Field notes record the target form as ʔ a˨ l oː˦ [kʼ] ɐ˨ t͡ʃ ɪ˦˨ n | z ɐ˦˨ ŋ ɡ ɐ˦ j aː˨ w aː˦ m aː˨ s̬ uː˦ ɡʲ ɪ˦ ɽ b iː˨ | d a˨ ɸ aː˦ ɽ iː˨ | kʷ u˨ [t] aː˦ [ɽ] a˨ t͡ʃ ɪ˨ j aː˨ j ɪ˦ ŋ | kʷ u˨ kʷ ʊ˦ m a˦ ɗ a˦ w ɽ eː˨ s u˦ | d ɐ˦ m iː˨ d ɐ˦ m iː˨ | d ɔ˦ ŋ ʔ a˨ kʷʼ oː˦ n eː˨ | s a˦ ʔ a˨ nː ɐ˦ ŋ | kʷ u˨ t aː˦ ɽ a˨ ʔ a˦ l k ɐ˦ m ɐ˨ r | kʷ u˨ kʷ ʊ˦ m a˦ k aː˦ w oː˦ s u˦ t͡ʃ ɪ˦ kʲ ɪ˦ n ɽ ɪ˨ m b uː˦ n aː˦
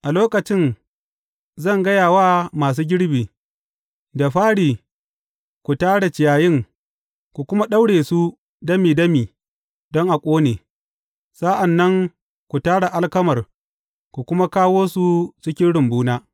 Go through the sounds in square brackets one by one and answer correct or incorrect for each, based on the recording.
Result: incorrect: k, correct, correct

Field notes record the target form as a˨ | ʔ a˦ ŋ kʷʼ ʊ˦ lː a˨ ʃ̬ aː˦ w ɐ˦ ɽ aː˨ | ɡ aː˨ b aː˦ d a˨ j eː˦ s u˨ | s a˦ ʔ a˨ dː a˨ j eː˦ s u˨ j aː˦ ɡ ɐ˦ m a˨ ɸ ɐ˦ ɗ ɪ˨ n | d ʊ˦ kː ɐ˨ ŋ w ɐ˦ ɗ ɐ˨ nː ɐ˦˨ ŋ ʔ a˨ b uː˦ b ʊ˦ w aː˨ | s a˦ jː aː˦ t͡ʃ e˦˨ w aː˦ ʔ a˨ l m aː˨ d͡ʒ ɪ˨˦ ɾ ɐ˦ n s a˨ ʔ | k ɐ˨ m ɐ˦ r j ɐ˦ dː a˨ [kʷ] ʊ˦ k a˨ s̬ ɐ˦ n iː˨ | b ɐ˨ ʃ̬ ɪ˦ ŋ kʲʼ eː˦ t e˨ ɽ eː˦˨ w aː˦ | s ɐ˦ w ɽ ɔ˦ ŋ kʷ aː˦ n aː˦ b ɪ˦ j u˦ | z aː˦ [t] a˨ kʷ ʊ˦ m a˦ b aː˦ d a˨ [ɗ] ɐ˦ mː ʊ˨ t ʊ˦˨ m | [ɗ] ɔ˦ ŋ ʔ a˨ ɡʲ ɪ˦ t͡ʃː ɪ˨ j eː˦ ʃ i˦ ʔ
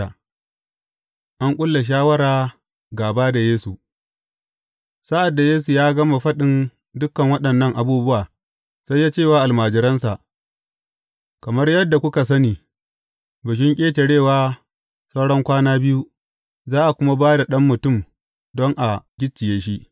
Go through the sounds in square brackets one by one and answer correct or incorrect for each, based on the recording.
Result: correct, incorrect: ʔ, correct, incorrect: d

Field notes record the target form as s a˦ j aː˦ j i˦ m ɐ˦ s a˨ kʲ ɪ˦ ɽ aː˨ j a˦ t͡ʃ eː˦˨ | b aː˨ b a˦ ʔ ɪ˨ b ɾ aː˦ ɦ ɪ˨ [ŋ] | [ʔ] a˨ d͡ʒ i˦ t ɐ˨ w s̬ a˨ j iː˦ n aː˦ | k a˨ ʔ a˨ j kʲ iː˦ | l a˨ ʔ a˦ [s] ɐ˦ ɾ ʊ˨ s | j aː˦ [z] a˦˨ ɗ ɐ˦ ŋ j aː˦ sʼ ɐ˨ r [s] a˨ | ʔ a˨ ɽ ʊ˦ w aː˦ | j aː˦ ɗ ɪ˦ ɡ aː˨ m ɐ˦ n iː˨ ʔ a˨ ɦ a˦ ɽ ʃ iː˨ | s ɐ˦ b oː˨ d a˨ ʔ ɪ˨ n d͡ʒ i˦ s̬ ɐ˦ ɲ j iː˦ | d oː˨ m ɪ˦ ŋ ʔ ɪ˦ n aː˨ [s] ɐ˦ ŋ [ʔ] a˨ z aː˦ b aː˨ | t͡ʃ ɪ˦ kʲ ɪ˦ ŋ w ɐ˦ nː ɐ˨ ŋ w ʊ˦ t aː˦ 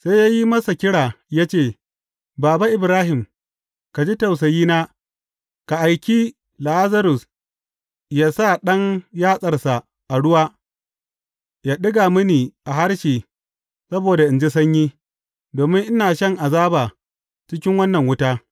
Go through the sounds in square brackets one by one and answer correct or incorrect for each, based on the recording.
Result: incorrect: m, incorrect: k, incorrect: z, incorrect: s, correct, incorrect: ʃ, correct

